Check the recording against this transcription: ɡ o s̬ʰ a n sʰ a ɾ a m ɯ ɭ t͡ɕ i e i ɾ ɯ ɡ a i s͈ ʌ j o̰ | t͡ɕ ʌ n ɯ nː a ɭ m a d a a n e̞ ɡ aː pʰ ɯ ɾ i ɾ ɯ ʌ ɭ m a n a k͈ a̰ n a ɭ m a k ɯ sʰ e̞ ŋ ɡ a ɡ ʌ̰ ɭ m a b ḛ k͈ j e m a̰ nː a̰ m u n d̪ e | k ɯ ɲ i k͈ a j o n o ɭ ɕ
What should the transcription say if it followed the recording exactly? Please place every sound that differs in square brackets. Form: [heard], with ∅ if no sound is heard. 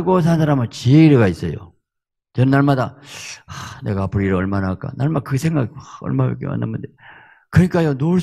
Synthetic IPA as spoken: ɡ o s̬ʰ a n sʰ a ɾ a m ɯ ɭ t͡ɕ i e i ɾ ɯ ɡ a i s͈ ʌ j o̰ | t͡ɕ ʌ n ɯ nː a ɭ m a d a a n e̞ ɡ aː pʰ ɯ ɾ i ɾ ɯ ʌ ɭ m a n a k͈ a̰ n a ɭ m a k ɯ sʰ e̞ ŋ ɡ a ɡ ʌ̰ ɭ m a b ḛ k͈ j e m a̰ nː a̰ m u n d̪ e | k ɯ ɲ i k͈ a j o n o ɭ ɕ